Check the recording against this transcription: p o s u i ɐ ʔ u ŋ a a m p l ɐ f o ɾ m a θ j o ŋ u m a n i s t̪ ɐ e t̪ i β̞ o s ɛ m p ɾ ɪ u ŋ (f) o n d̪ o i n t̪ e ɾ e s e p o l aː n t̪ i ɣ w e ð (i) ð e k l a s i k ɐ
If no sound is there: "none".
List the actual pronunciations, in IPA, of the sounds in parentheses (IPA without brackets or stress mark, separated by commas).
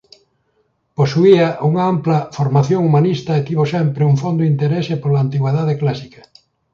f, a